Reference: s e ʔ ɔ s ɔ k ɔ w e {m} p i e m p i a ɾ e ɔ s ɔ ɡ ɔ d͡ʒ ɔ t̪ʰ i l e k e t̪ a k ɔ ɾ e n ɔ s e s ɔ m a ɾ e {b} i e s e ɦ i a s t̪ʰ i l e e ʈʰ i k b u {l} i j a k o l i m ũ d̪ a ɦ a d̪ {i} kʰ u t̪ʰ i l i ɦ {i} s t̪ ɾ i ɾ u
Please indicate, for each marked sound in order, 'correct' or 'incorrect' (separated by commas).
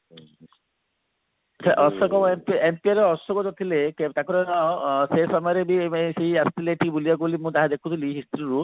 correct, correct, correct, incorrect, correct